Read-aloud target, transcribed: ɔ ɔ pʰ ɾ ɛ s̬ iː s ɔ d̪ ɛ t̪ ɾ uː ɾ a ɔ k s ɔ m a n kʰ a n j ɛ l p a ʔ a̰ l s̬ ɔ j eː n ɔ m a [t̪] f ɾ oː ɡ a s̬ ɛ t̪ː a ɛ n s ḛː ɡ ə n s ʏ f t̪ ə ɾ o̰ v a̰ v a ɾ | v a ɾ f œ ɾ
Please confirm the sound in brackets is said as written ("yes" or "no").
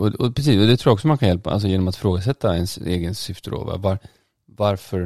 yes